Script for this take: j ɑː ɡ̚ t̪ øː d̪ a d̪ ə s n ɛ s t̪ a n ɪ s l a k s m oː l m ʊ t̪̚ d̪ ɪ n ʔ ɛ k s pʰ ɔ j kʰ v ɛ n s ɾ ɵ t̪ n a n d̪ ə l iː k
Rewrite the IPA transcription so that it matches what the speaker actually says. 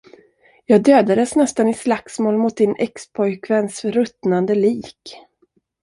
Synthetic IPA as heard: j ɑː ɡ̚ d̪ øː d̪ a d̪ ə s n ɛ s t̪ a n ɪ s l a k s m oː l m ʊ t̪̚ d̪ ɪ n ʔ ɛ k s pʰ ɔ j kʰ v ɛ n s ɾ ɵ t̪ n a n d̪ ə l iː k